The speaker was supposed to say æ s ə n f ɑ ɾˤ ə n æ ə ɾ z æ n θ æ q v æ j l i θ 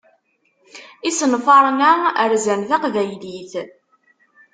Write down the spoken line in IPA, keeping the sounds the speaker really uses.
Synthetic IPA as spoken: i s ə n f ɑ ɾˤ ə n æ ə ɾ z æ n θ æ q v æ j l i θ